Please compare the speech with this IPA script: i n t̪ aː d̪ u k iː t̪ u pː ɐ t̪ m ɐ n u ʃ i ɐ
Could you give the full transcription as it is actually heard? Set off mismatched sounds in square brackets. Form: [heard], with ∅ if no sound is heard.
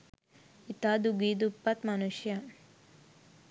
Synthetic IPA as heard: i [∅] t̪ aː d̪ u [ɡ] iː [d̪] u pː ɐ t̪ m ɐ n u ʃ [j] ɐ